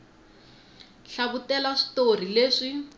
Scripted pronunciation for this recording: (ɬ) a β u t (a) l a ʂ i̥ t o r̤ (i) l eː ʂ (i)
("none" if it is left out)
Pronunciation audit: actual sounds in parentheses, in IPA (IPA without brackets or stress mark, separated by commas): ɬ, ɛ, i, i